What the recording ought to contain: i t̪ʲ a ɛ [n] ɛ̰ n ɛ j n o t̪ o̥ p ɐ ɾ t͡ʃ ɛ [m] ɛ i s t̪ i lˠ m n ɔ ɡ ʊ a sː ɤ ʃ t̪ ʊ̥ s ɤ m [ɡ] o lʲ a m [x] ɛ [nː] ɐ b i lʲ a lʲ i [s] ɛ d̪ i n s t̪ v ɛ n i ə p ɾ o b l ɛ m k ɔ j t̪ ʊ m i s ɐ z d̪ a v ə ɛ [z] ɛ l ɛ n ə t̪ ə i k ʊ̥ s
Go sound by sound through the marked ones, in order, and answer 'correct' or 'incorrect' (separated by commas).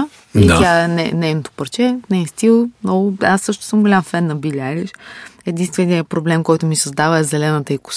correct, incorrect, correct, incorrect, correct, incorrect, correct